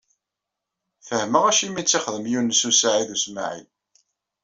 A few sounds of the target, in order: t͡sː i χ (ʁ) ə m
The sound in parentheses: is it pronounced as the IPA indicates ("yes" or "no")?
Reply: no